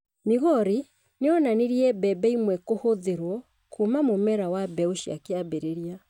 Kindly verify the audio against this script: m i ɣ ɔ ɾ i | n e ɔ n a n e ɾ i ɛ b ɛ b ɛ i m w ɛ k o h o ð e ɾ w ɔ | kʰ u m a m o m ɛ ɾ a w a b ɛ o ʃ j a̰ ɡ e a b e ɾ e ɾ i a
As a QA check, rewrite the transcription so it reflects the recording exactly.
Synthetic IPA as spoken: m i ɣ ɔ ɾ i | n e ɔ n a n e ɾ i ɛ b ɛ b ɛ i m w ɛ k o h o ð e ɾ w ɔ | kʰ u m a m o m ɛ ɾ a w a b ɛ o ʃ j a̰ k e a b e ɾ e ɾ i a